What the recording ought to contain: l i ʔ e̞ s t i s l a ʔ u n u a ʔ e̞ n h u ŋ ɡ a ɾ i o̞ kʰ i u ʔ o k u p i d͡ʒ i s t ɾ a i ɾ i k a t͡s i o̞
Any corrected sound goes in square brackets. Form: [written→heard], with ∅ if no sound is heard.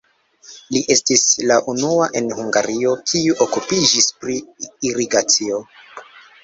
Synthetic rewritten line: l i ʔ e̞ s t i s l a ʔ u n u a ʔ e̞ n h u ŋ ɡ a ɾ i o̞ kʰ i u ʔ o k u p i d͡ʒ i s [t→p] ɾ [a→i] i ɾ i [k→ɡ] a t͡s i o̞